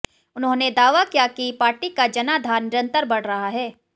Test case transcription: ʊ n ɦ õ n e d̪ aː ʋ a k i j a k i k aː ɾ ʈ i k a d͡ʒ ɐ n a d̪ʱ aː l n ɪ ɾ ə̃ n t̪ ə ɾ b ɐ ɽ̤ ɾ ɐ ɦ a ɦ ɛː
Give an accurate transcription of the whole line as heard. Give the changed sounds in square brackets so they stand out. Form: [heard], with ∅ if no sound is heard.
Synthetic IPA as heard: ʊ n ɦ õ n e d̪ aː ʋ a k i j a k i [p] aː ɾ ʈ i k a d͡ʒ ɐ n a d̪ʱ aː [ɾ] n ɪ ɾ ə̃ n t̪ ə ɾ b ɐ ɽ̤ ɾ ɐ ɦ a ɦ ɛː